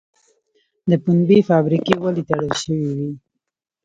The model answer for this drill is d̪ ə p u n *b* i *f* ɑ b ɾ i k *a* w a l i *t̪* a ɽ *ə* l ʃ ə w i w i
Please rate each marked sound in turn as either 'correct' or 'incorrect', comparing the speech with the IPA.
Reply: correct, correct, incorrect, correct, correct

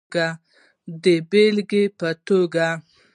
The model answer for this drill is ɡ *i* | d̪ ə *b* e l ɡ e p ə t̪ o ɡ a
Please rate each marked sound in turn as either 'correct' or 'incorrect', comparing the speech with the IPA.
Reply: incorrect, correct

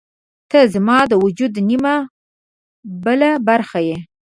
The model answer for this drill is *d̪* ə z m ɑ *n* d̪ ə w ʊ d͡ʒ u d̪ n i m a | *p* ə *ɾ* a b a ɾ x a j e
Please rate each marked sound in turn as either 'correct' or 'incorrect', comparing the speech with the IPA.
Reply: incorrect, incorrect, incorrect, incorrect

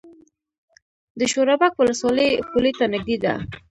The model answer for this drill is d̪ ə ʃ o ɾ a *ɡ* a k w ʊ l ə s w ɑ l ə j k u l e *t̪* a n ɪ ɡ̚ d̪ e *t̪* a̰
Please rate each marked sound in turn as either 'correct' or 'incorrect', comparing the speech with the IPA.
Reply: incorrect, correct, incorrect

